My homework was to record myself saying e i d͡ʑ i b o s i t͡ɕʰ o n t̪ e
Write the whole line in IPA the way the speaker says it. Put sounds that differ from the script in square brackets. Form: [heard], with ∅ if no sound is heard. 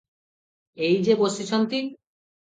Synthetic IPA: e [j] d͡ʑ [e] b o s i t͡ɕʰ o n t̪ [i]